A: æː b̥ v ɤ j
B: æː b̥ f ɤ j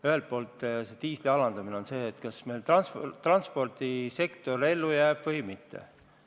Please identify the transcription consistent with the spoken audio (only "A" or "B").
A